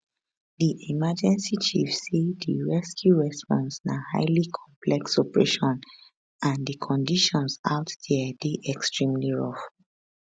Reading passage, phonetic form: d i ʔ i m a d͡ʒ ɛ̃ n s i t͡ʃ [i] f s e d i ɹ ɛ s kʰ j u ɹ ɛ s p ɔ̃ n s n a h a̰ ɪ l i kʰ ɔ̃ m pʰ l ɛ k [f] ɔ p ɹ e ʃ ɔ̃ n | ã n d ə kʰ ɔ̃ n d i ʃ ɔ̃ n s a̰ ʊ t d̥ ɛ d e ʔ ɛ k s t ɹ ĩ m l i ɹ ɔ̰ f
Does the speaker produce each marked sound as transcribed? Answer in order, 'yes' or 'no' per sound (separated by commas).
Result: yes, no